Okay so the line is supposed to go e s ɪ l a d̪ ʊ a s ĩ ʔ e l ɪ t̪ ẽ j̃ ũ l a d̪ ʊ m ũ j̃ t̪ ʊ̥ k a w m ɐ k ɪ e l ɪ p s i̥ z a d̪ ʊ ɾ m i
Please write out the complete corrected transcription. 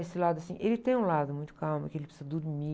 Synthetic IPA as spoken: e s ɪ l a d̪ ʊ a s ĩ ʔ e l ɪ t̪ ẽ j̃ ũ l a d̪ ʊ m ũ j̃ t̪ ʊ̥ k a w m ɐ k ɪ e l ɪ p s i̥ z ɐ d̪ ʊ ɾ m i